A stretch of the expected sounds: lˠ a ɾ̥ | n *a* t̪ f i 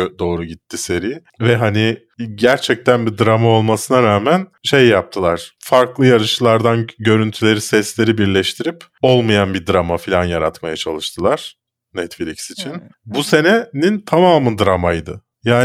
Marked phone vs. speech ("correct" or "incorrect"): incorrect